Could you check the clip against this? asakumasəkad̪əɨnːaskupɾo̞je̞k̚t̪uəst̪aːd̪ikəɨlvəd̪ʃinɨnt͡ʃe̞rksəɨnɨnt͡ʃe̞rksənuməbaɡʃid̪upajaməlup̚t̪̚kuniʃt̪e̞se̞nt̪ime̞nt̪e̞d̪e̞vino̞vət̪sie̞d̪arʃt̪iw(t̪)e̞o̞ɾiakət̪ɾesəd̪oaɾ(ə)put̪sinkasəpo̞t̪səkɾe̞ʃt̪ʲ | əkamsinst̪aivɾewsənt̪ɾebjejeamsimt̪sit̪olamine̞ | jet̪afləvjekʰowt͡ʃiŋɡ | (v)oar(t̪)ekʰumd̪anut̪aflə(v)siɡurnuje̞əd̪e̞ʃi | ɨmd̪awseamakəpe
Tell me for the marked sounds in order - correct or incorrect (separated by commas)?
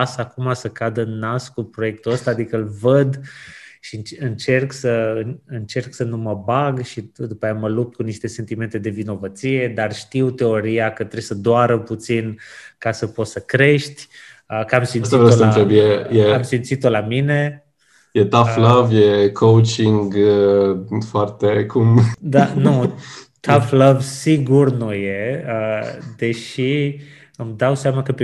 correct, correct, incorrect, correct, correct